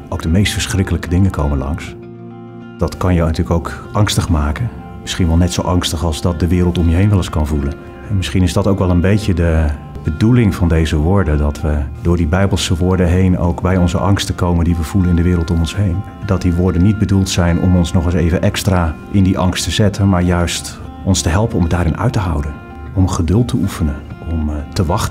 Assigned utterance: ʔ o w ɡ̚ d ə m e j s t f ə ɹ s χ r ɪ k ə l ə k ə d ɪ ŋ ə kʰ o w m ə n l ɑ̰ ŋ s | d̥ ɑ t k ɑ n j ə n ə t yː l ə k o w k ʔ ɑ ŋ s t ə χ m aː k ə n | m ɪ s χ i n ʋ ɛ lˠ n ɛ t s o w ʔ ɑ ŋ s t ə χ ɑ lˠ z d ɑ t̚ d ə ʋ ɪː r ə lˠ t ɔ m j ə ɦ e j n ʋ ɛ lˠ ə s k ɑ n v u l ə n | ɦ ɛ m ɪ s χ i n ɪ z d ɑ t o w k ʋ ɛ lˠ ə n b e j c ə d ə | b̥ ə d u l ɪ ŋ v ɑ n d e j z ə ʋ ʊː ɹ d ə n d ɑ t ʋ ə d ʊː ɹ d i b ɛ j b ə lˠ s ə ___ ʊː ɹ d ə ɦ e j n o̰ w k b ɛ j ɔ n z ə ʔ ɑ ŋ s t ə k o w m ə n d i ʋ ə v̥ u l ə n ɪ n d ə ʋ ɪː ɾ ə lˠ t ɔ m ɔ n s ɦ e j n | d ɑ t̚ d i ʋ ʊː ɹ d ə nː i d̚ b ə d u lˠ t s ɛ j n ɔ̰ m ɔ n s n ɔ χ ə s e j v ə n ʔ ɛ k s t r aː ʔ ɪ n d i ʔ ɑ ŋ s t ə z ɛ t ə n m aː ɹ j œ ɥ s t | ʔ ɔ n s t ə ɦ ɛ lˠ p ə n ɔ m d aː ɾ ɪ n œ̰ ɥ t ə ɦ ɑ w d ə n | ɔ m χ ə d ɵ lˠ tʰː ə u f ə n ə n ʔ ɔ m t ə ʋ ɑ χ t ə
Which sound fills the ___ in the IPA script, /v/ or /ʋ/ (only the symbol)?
ʋ